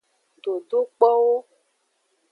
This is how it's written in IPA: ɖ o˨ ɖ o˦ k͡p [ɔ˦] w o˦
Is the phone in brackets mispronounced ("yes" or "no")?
no